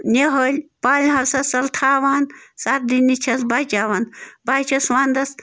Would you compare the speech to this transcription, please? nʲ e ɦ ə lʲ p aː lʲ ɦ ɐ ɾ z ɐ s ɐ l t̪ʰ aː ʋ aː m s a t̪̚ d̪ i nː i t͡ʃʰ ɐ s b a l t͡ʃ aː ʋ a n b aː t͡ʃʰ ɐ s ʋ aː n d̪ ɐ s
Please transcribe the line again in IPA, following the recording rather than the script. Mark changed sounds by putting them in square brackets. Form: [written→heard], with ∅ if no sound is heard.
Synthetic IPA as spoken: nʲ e ɦ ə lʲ p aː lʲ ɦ ɐ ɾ [z→s] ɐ s ɐ l t̪ʰ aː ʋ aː [m→n] s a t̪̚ d̪ i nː i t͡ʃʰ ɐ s b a [l→∅] t͡ʃ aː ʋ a n b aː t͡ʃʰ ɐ s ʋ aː n d̪ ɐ s